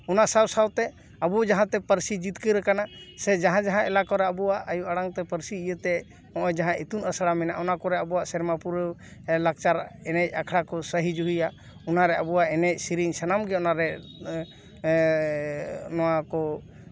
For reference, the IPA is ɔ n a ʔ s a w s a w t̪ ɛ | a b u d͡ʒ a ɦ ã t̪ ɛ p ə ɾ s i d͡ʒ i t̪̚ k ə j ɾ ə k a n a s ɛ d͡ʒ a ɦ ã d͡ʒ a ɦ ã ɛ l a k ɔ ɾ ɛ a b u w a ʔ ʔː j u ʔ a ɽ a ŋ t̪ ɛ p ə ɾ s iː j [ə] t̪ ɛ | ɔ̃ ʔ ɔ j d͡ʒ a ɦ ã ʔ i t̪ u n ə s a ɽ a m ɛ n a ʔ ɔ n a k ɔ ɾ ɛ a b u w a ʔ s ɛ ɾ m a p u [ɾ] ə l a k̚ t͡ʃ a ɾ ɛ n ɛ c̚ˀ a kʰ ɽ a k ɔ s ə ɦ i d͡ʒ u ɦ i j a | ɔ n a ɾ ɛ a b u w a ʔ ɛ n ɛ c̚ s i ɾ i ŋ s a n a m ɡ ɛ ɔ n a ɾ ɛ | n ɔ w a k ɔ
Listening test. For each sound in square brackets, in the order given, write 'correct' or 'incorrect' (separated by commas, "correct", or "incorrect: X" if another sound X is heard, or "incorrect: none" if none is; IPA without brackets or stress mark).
correct, correct